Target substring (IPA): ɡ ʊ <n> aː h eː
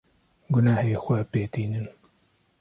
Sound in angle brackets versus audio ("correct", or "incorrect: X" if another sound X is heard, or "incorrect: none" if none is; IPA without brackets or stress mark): correct